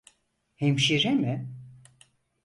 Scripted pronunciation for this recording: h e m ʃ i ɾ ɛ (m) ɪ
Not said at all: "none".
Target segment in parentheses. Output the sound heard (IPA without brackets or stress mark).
m